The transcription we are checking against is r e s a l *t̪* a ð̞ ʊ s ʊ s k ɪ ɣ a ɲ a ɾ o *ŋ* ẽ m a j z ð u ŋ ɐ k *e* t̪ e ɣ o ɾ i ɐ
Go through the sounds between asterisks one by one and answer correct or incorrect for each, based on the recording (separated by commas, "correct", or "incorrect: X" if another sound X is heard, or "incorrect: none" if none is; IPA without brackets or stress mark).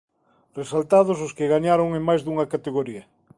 correct, correct, incorrect: a